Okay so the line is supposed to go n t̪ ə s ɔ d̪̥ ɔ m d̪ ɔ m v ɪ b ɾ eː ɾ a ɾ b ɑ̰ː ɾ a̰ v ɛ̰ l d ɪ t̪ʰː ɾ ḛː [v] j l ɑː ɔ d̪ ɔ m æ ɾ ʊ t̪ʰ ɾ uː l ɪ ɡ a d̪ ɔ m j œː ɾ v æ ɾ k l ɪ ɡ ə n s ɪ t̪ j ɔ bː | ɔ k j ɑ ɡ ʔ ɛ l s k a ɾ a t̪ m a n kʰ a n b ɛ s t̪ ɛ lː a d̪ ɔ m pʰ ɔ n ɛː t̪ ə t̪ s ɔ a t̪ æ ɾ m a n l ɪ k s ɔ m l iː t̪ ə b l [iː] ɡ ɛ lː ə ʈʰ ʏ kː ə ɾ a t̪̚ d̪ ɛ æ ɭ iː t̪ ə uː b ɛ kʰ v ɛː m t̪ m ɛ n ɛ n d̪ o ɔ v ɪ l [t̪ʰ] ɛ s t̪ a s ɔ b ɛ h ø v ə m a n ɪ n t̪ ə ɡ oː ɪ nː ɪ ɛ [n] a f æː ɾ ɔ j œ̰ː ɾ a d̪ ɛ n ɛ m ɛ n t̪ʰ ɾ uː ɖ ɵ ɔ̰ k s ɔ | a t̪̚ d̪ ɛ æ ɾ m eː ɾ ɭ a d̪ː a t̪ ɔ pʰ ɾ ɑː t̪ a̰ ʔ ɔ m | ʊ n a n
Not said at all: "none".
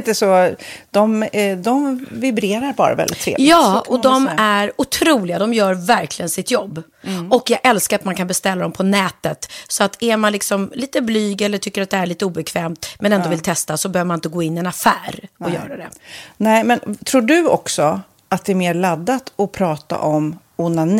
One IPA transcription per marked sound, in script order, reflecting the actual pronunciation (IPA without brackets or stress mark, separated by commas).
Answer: v, yː, t̪ʰ, n